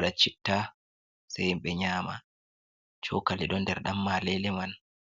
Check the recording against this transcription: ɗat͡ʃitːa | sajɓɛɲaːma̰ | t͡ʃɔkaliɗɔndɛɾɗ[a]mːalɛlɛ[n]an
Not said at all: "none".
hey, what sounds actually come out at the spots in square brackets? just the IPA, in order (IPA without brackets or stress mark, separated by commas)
a, m